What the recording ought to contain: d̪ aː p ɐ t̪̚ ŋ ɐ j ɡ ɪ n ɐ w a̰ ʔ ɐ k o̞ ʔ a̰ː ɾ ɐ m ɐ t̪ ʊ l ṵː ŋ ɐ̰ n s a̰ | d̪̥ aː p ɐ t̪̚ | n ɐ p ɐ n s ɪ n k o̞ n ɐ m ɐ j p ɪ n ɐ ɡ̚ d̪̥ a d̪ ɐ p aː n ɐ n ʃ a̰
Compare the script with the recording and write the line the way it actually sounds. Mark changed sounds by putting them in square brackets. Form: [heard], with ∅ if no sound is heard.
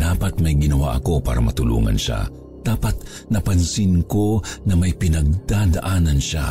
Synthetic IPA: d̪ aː p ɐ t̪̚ [m] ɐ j ɡ ɪ n ɐ w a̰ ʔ ɐ k o̞ [p] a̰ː ɾ ɐ m ɐ t̪ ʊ l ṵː ŋ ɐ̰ n [ʃ] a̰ | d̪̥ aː p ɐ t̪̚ | n ɐ p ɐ n s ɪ n k o̞ n ɐ m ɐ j p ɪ n ɐ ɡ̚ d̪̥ a d̪ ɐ [ʔ] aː n ɐ n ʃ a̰